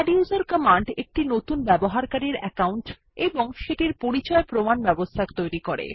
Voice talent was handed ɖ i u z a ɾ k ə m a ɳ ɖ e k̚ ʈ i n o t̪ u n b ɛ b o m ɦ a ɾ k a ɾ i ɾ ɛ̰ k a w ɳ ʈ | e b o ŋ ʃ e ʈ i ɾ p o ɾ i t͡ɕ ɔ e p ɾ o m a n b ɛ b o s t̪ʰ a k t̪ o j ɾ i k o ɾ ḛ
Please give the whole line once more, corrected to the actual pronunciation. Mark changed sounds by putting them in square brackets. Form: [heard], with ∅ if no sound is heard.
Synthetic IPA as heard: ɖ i u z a ɾ k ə m a ɳ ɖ e k̚ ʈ i n o t̪ u n b ɛ b o [∅] ɦ a ɾ k a ɾ i ɾ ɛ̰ k a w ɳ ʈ | e b o ŋ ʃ e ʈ i ɾ p o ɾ i t͡ɕ ɔ e p ɾ o m a n b ɛ b o s t̪ʰ a k t̪ o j ɾ i k o ɾ ḛ